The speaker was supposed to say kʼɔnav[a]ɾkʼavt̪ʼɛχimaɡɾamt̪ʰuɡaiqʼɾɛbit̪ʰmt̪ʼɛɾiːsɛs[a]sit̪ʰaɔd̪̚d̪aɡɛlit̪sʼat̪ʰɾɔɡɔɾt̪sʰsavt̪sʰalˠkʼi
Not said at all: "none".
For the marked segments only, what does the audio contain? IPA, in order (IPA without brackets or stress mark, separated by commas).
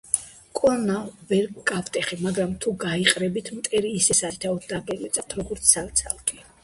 ɛ, a